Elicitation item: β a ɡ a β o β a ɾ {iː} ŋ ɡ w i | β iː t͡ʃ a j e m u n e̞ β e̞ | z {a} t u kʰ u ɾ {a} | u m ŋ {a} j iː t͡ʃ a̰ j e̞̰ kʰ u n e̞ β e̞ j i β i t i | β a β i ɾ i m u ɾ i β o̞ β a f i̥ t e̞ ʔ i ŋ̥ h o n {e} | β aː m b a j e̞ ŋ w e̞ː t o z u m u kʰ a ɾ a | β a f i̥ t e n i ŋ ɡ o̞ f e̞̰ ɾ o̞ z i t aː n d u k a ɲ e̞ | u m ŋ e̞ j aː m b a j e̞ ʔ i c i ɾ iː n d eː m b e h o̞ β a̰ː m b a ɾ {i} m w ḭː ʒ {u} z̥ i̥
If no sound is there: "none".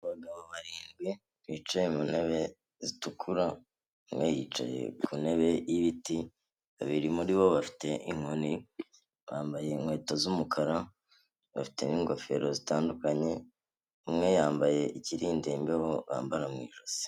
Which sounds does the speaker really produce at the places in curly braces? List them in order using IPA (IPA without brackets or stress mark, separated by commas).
iː, i, a, e, i, a, o